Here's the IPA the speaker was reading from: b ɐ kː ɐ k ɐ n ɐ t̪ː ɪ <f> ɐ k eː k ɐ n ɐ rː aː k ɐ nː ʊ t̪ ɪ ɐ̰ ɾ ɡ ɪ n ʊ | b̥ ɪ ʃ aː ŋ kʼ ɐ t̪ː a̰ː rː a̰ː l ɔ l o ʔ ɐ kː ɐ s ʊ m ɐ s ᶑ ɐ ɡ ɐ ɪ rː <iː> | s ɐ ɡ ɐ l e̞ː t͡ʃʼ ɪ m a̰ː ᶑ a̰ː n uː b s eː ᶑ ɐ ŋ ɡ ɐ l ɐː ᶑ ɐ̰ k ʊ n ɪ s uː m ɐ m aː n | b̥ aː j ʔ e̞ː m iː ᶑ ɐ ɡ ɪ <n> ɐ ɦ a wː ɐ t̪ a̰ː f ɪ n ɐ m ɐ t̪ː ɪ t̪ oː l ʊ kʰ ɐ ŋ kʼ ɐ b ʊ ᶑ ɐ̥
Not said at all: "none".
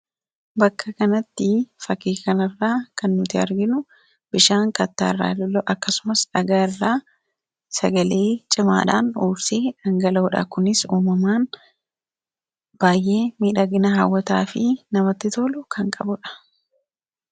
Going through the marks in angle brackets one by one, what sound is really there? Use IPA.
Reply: f, aː, n

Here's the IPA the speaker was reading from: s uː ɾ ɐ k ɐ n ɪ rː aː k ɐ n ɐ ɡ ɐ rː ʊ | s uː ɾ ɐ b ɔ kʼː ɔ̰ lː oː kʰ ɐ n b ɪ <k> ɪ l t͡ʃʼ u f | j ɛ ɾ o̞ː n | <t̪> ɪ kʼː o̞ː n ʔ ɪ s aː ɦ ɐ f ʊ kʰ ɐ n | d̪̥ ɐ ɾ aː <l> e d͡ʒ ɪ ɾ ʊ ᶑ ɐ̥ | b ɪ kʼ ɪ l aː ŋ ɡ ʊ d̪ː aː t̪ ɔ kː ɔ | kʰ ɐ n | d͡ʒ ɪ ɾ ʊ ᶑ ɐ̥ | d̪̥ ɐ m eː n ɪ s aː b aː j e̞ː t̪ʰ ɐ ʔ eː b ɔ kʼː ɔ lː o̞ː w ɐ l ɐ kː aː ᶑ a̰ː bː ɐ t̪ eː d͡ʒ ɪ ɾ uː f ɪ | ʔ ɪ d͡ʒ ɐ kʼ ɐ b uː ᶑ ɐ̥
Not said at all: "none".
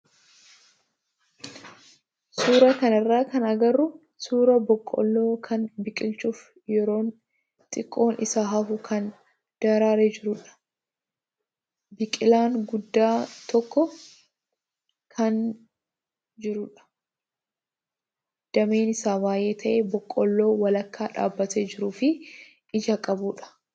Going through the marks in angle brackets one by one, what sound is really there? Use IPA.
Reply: kʼ, t̪ʼ, ɾ

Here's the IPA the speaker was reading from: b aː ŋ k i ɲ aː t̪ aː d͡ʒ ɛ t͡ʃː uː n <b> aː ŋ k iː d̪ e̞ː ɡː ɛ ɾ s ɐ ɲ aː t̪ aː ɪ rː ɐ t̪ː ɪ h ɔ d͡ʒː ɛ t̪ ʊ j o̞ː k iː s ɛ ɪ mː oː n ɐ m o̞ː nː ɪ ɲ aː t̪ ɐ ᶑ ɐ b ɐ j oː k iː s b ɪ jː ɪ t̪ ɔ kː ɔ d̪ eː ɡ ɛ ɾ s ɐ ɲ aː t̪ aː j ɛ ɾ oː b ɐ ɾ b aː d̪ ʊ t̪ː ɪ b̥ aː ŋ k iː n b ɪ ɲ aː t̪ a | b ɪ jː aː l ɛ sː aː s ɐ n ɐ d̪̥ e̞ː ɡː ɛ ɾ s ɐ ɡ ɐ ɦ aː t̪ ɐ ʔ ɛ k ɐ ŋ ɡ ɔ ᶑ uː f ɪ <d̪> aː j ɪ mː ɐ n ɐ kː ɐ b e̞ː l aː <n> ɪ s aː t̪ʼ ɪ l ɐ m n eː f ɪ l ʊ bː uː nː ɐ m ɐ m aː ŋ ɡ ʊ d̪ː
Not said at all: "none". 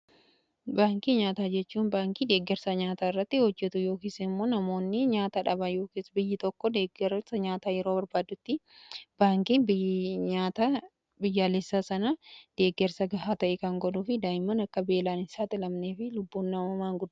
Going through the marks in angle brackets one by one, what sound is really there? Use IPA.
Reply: b, d̪, n

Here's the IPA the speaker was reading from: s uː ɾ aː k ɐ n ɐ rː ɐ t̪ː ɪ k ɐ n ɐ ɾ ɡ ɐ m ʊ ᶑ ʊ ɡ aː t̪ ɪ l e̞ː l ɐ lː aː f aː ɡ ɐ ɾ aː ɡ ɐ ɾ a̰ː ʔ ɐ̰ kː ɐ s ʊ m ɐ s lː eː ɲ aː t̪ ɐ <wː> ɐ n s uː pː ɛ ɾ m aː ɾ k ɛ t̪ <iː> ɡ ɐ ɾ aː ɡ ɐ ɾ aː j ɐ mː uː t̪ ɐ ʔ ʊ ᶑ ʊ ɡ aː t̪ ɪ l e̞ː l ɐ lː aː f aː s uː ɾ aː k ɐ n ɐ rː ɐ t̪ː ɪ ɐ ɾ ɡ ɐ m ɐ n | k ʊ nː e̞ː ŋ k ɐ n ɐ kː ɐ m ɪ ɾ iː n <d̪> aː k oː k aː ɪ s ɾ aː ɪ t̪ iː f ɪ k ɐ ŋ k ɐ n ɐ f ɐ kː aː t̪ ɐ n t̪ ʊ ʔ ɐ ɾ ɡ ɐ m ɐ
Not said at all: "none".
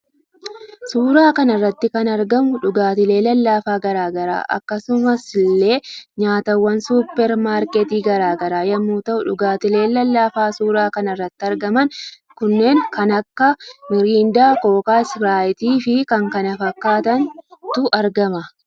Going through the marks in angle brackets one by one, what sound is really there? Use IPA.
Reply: wː, iː, d̪

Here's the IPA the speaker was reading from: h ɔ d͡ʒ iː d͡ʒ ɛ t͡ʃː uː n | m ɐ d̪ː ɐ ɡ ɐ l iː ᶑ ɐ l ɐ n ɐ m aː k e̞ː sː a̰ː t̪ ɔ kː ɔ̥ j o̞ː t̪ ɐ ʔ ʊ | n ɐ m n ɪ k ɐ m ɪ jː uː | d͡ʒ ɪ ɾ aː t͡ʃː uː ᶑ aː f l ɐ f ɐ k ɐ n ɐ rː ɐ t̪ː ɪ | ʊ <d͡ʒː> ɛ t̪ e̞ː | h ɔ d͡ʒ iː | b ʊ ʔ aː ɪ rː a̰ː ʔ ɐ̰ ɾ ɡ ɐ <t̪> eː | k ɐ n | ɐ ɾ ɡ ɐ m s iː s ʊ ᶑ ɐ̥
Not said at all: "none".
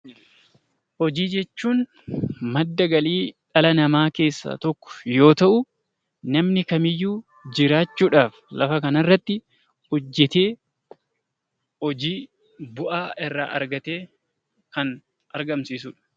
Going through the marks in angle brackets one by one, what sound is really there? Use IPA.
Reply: d͡ʒː, t̪

